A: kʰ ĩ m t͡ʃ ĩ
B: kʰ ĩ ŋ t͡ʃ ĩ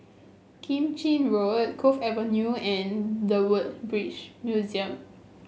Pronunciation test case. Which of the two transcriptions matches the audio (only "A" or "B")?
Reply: A